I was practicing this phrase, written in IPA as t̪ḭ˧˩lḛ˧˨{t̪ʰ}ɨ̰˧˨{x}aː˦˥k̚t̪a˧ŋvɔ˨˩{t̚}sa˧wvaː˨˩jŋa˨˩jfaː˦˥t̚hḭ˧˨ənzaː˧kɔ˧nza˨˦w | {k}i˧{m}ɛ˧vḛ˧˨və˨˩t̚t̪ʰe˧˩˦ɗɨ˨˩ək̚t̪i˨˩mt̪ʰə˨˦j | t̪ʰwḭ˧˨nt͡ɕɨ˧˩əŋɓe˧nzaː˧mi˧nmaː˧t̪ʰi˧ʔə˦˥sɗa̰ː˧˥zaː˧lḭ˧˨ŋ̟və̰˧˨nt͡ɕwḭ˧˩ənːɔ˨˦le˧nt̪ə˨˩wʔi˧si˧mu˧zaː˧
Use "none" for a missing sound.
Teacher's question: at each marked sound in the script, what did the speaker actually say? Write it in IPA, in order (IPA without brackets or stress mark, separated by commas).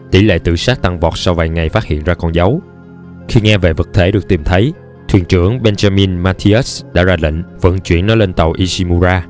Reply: t̪, s, t̚, x, ŋ